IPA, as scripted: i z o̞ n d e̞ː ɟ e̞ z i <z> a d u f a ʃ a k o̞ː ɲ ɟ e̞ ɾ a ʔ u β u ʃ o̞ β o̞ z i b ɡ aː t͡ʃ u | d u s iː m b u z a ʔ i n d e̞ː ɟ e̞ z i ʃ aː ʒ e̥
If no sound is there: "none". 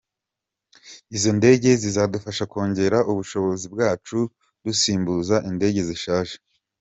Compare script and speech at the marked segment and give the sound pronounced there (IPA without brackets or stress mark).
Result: z